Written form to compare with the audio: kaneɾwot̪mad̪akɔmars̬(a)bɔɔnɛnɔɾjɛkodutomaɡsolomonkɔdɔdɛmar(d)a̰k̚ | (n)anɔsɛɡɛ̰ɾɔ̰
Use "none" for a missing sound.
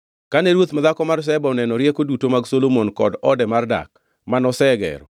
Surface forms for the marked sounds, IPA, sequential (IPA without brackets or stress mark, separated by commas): ɛ, d, m